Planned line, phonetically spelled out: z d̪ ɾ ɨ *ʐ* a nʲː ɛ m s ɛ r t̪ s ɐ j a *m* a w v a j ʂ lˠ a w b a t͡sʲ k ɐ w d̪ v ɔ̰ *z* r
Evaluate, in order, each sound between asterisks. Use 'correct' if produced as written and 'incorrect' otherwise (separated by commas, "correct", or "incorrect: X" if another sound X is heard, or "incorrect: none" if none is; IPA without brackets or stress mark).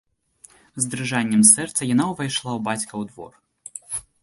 correct, incorrect: n, incorrect: none